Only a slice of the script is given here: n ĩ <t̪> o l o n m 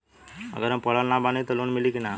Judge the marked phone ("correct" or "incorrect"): correct